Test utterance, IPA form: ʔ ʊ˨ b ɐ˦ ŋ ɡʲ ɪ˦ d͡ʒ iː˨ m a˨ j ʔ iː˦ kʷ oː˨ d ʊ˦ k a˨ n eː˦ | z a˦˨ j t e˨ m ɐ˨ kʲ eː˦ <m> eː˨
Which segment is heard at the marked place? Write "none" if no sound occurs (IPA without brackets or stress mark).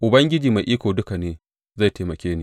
n